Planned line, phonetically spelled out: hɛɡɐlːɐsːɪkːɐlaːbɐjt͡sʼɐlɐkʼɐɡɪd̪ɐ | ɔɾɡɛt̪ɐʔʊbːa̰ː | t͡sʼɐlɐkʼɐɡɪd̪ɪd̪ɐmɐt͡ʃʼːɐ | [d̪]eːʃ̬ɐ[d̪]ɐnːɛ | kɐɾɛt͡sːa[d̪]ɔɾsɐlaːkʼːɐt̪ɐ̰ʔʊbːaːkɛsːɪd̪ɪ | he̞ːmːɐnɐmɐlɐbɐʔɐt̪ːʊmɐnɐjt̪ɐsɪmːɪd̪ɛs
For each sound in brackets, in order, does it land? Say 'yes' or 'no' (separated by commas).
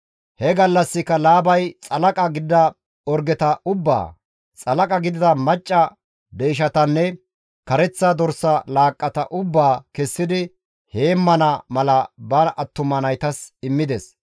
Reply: yes, no, yes